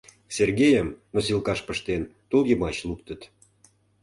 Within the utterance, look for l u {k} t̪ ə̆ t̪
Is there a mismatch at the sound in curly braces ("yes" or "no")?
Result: no